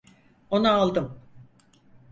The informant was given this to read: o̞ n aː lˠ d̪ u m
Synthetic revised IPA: o̞ n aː lˠ d̪ ɯ m